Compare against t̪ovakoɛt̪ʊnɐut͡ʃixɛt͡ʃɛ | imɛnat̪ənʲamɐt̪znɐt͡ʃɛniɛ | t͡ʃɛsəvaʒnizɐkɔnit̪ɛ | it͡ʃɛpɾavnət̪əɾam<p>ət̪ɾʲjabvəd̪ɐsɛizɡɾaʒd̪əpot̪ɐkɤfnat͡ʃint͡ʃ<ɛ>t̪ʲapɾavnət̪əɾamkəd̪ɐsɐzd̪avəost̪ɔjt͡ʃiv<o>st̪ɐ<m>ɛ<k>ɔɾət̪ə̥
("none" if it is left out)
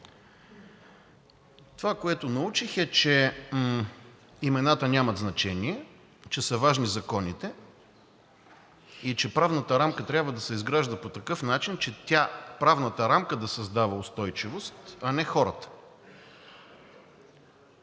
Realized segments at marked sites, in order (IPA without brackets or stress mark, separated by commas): k, ɛ, o, n, x